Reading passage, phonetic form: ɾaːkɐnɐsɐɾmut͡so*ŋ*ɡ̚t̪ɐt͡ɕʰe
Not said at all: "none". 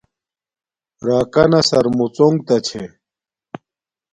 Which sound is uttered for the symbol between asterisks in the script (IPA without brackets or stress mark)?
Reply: ŋ